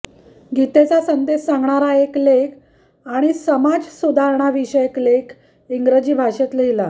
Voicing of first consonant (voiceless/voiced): voiced